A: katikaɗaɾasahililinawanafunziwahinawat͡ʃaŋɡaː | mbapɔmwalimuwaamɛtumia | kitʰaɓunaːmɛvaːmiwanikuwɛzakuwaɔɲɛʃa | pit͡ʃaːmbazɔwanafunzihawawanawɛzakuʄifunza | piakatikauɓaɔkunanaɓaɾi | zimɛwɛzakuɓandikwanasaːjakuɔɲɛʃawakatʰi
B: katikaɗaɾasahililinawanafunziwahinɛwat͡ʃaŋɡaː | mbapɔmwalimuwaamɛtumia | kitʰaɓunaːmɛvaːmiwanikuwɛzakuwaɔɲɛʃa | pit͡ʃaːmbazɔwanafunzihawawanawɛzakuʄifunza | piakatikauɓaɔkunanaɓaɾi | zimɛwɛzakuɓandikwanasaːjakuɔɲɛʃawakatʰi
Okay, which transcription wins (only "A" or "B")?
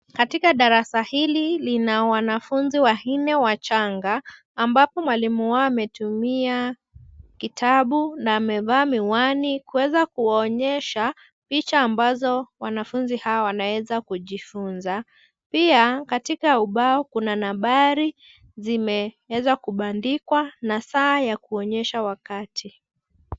B